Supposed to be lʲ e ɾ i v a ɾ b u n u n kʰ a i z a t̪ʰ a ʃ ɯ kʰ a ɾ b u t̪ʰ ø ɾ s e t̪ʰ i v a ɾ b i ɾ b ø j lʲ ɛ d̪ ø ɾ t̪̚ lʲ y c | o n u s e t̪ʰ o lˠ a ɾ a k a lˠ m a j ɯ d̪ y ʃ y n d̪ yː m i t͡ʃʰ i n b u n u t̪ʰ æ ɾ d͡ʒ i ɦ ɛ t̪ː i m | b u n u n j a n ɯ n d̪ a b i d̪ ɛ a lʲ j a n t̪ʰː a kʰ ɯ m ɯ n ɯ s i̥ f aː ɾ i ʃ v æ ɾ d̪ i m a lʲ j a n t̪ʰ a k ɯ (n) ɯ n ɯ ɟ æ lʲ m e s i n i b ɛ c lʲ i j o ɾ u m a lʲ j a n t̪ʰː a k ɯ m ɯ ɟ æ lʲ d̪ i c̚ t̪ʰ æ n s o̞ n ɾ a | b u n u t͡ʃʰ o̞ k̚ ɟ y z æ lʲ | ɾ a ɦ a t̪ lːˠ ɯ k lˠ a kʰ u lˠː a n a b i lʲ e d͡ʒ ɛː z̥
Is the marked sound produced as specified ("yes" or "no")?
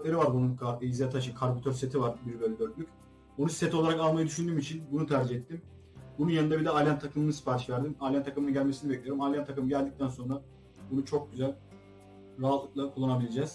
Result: no